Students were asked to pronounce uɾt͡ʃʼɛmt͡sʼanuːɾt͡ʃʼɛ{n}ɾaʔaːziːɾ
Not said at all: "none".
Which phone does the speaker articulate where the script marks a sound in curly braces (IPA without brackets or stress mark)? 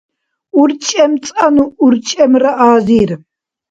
m